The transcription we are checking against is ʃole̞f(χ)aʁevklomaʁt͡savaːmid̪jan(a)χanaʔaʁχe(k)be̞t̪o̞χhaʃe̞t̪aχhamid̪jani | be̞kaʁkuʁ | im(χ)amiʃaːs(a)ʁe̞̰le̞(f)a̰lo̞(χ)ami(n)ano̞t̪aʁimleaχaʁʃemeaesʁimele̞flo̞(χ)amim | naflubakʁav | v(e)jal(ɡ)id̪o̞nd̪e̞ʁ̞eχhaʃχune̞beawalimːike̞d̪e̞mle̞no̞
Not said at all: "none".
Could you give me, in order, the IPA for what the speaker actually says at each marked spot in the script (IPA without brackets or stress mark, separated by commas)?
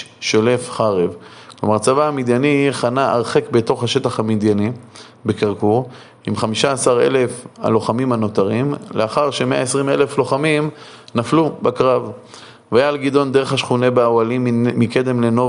χ, i, k, χ, a, f, χ, m, χ, a, ɡ